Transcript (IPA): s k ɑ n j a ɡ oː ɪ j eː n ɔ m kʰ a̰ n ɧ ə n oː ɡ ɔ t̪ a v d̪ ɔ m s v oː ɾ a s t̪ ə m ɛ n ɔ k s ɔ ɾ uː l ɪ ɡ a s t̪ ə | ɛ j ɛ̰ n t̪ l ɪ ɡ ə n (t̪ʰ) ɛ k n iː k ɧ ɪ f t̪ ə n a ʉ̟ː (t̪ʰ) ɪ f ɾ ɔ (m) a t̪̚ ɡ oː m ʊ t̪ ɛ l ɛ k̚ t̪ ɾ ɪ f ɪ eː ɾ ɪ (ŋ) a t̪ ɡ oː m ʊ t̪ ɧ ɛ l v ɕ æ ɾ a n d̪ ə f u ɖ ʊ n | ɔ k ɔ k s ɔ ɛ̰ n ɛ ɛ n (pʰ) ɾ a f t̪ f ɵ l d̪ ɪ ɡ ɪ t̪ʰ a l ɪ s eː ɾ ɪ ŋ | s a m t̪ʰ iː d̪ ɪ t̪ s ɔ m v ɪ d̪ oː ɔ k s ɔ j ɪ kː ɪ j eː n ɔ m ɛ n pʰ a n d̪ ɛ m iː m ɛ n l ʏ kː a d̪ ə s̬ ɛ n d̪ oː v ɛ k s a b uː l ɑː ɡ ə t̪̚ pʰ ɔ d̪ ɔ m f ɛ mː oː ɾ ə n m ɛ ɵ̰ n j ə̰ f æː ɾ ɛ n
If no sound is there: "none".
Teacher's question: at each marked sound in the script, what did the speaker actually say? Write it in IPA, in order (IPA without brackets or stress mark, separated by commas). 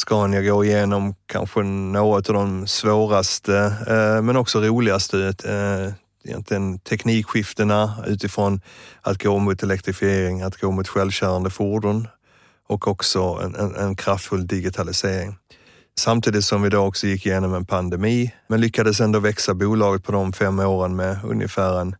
t̪ʰ, t̪, n, ŋ, kʰ